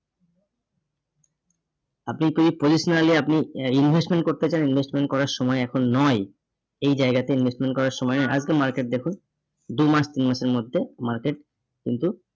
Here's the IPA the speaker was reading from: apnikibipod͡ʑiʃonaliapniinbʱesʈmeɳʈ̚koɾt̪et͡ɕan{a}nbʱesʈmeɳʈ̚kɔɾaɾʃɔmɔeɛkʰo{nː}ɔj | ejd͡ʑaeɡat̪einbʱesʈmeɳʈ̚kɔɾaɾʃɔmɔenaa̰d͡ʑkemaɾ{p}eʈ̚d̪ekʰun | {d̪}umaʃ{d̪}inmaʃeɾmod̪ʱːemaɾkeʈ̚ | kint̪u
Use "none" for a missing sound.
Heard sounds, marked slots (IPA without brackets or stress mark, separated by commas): i, nː, k, d̪, t̪